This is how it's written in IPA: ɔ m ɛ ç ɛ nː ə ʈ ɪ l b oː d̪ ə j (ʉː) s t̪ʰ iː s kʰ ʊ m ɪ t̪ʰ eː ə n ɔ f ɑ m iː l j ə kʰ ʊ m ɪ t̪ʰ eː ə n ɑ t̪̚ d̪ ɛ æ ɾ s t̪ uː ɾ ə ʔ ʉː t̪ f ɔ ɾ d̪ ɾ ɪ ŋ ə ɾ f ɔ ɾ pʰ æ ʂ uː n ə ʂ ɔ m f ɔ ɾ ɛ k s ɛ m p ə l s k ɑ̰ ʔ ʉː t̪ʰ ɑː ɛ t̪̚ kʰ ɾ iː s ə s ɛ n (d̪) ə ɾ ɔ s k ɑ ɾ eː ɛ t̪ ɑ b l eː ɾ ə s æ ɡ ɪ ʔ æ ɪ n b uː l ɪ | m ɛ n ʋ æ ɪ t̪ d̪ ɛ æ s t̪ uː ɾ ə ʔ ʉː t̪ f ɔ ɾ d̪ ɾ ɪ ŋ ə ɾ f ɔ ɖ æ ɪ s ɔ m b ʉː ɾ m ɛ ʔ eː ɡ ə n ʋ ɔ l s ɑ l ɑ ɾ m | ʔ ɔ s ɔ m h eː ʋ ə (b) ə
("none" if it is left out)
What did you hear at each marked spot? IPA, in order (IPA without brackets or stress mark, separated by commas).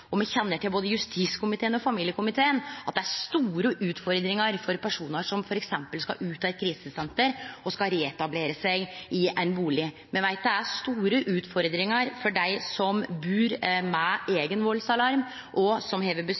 ʉ, t̪, b